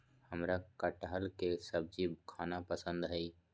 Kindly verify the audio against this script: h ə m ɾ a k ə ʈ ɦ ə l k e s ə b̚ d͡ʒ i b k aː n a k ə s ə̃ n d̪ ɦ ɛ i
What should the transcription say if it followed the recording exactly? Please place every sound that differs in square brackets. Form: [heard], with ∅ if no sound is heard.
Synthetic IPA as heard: h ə m ɾ a k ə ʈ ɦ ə l k e s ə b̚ d͡ʒ i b [kʰ] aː n a [p] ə s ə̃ n d̪ ɦ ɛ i